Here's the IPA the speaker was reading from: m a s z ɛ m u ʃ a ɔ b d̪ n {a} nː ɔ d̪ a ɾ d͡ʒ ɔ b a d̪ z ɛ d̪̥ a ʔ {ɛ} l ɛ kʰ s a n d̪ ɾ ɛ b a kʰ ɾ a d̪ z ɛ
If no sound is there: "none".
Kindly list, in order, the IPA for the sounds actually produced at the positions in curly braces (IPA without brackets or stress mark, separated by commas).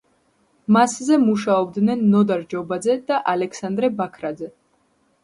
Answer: ɛ, a